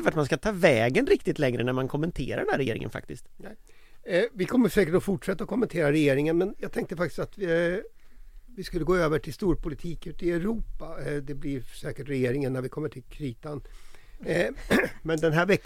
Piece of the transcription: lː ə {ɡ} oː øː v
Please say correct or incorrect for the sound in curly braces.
correct